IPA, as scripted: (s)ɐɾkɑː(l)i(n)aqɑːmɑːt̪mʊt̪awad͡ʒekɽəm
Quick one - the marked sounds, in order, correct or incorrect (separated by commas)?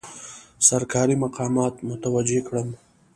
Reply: correct, incorrect, incorrect